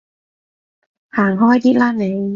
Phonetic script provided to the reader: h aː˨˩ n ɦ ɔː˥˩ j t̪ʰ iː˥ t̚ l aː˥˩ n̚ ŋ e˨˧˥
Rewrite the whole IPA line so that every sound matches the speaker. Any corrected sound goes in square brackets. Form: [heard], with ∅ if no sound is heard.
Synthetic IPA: h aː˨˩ [ŋ] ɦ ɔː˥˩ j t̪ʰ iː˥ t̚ l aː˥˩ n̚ [n] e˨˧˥